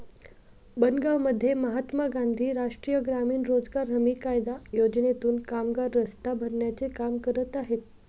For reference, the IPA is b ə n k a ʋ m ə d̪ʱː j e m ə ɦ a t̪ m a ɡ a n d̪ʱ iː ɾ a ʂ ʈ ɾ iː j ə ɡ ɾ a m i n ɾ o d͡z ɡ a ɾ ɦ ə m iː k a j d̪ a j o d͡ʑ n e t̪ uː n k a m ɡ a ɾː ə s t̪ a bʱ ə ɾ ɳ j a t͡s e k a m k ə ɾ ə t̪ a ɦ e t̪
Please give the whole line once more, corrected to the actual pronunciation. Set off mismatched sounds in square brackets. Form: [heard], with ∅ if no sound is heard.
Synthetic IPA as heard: b ə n [ɡ] a ʋ m ə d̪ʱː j e m ə ɦ a t̪ m a ɡ a n d̪ʱ iː ɾ a ʂ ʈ ɾ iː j ə ɡ ɾ a m [iː] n ɾ o d͡z ɡ a ɾ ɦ ə m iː k a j d̪ a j o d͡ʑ n e t̪ uː n k a m ɡ a ɾː ə s t̪ a bʱ ə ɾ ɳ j a t͡s e k a m k ə ɾ ə t̪ a ɦ e t̪